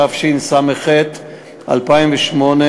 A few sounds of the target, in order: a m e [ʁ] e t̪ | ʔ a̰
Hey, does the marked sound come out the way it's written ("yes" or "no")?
no